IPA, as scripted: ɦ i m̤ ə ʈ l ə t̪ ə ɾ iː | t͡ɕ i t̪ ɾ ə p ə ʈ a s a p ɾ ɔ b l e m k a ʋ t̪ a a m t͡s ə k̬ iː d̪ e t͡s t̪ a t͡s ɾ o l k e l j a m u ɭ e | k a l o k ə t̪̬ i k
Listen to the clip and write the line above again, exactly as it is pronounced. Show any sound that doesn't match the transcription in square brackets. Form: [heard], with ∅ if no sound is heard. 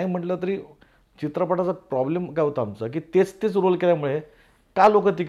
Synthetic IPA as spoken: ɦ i m̤ ə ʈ l ə t̪ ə ɾ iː | t͡ɕ i t̪ ɾ ə p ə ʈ a [t͡s] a p ɾ ɔ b l e m k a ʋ t̪ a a m t͡s ə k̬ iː [t̪] e t͡s t̪ [e] t͡s ɾ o l k e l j a m u ɭ e | k a l o k ə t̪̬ i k